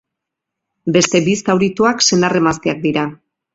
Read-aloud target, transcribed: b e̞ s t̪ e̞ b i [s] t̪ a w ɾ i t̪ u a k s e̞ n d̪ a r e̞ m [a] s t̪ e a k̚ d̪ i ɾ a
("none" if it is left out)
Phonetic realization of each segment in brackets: s, a

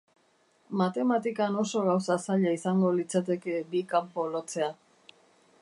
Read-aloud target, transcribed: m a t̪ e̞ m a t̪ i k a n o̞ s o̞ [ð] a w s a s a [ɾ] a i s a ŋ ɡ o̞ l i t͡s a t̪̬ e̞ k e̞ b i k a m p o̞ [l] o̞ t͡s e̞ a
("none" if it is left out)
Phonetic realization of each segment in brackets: ɣ, ʎ, l

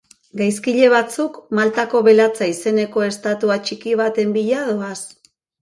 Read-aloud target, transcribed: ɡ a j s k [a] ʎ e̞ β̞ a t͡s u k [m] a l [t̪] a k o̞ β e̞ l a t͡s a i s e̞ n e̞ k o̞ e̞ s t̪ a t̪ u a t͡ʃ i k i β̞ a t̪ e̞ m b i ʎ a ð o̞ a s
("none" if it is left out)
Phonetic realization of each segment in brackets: i, m, t̪

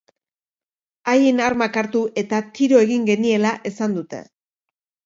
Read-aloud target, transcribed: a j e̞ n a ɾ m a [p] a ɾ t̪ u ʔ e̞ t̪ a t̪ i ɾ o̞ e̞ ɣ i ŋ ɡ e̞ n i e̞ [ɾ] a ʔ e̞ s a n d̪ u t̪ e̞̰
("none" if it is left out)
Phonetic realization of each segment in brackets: k, l

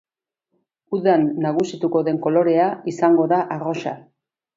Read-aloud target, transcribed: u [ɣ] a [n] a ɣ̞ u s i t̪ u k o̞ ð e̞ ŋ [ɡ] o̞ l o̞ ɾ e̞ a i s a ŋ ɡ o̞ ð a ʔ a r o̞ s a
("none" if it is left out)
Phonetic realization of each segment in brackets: ð, nː, k

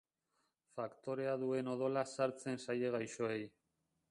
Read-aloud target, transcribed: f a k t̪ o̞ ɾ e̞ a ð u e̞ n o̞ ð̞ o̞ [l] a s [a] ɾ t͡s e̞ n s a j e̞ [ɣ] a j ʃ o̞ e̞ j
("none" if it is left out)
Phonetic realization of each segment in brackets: l, a, ɣ

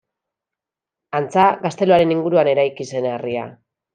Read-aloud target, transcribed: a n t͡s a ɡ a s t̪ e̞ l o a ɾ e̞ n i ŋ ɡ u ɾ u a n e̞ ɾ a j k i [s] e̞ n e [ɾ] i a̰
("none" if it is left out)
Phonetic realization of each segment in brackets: s, r

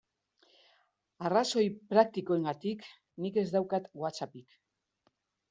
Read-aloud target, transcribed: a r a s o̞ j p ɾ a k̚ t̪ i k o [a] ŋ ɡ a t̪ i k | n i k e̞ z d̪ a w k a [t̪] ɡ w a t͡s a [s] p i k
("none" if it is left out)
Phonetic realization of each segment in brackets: e, t̪, none

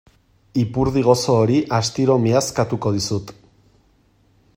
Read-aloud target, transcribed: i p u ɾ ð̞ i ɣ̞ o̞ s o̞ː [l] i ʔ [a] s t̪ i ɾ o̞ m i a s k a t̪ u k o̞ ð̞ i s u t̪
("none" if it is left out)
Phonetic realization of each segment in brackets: ɾ, a

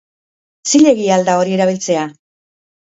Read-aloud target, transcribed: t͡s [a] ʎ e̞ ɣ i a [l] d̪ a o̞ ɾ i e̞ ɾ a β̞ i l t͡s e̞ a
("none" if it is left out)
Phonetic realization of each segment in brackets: i, l

